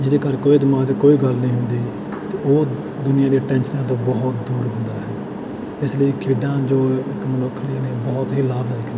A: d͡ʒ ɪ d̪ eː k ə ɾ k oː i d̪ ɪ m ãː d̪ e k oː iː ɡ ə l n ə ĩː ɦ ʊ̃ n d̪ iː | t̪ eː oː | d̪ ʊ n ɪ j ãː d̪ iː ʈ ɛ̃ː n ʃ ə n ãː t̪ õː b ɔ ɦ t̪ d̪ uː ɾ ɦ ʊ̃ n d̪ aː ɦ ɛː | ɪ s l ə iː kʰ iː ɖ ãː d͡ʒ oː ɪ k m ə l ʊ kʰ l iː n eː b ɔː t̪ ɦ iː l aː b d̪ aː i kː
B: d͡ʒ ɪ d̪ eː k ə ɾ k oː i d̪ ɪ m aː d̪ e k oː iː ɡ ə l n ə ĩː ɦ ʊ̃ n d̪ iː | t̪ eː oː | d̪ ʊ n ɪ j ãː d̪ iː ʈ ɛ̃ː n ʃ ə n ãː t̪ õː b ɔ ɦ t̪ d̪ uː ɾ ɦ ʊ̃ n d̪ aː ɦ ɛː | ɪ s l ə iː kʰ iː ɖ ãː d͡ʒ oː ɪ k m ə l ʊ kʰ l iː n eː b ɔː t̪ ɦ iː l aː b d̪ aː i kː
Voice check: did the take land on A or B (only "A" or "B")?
B